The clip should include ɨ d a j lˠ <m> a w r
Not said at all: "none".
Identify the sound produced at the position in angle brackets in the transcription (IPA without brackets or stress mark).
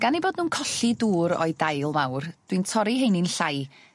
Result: m